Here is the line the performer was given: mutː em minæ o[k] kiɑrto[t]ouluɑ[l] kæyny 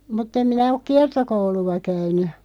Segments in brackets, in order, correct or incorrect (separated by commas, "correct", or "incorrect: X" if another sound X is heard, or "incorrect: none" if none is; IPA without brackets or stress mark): correct, incorrect: k, incorrect: none